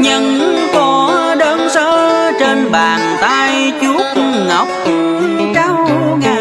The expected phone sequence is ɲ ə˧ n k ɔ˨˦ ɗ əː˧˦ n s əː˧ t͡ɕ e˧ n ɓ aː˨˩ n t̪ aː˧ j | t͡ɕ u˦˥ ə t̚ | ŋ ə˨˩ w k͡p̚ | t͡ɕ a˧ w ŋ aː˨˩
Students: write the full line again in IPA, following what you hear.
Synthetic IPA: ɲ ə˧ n k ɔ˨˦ ɗ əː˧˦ n s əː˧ t͡ɕ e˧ n ɓ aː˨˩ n t̪ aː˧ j | t͡ɕ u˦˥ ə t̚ | ŋ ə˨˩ w k͡p̚ | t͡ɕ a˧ w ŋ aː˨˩